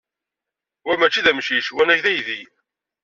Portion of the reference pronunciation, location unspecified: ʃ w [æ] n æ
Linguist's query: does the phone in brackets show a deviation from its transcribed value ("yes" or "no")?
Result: no